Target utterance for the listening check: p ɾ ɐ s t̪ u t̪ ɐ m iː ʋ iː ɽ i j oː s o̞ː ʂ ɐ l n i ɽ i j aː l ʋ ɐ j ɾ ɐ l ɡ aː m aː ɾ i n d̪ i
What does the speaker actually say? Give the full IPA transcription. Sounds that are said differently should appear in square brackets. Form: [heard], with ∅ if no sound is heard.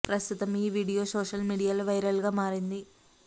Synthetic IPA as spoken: p ɾ ɐ s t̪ u t̪ ɐ m iː ʋ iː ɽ i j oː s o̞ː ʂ ɐ l [m] i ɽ i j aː l ʋ ɐ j ɾ ɐ l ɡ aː m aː ɾ i n d̪ i